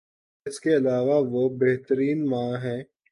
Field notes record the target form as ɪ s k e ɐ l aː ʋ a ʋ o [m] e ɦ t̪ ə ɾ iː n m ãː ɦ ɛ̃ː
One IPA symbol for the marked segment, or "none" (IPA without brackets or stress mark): b